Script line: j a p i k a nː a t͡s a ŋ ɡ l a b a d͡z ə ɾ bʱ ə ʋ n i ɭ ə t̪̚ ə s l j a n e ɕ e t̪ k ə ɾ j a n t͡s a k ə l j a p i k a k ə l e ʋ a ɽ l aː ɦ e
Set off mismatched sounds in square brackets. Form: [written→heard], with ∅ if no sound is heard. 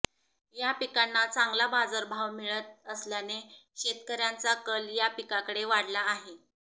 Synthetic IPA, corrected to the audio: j a p i k a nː a t͡s a ŋ ɡ l a b a d͡z ə ɾ bʱ [ə→a] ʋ [n→m] i ɭ ə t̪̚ ə s l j a n e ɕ e t̪ k ə ɾ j a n t͡s a k ə l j a p i k a k ə [l→ɽ] e ʋ a ɽ l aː ɦ e